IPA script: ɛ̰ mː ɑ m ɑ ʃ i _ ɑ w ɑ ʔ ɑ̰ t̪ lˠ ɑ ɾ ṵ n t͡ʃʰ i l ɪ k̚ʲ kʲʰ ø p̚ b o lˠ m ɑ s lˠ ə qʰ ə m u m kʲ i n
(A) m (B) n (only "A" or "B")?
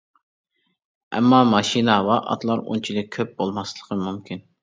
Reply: B